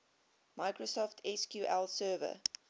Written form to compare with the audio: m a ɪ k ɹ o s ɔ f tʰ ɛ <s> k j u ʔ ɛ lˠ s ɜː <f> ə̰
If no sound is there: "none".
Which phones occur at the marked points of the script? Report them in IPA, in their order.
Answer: s, v

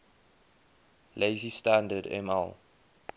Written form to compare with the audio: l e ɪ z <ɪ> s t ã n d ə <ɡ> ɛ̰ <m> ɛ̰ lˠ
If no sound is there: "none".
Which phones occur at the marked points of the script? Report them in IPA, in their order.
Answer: i, d, m

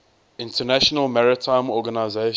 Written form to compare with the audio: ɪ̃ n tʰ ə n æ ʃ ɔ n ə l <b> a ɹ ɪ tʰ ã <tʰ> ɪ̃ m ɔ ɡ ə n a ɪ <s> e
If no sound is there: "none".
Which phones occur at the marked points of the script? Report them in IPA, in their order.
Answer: m, none, z

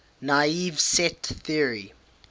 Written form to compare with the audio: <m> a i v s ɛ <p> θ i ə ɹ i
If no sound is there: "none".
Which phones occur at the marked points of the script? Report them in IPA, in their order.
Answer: n, t

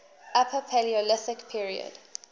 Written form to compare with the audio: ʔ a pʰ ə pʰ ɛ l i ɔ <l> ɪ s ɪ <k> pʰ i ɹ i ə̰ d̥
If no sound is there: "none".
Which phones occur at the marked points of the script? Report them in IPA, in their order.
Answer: l, k

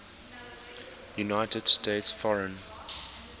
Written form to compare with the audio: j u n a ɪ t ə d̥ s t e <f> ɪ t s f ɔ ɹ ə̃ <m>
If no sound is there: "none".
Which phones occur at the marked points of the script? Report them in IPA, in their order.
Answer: none, n

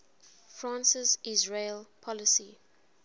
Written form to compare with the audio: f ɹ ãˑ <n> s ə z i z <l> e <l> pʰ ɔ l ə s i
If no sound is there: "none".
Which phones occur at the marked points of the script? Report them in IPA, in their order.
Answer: n, ɹ, l

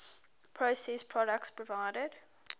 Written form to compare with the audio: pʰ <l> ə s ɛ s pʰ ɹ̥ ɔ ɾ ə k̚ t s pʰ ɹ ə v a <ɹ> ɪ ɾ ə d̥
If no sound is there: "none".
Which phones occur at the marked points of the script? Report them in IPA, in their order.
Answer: ɹ, none

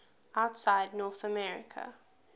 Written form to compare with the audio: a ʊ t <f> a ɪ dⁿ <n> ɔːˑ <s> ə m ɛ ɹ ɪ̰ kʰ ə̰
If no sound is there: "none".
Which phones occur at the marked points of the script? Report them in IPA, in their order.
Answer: s, n, θ

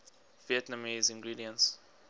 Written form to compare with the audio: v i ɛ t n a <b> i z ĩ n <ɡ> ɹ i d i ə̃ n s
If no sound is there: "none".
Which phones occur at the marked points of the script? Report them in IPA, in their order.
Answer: m, ɡ

